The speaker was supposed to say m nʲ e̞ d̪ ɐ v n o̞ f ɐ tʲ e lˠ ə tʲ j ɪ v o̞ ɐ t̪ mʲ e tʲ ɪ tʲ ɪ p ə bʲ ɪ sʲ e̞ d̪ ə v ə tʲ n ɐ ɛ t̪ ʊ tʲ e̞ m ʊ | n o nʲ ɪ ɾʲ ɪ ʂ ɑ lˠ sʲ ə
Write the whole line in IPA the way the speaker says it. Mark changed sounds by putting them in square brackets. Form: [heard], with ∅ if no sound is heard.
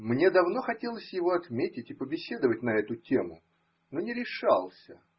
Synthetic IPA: m nʲ e̞ d̪ ɐ v n o̞ [x] ɐ tʲ e lˠ ə [sʲ] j ɪ v o̞ ɐ t̪ mʲ e tʲ ɪ tʲ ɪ p ə bʲ ɪ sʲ e̞ d̪ ə v ə tʲ n ɐ ɛ t̪ ʊ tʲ e̞ m ʊ | n o nʲ ɪ ɾʲ ɪ ʂ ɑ lˠ sʲ ə